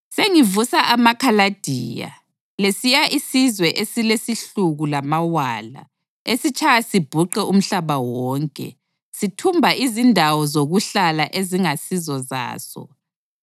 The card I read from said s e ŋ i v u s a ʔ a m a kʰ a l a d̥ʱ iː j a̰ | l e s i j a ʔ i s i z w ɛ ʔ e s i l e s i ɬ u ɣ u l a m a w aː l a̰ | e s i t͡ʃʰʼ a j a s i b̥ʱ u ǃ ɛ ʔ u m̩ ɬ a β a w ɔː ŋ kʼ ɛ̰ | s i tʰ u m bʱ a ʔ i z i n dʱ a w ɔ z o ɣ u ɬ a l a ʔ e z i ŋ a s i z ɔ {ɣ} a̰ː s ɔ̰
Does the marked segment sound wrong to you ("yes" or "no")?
yes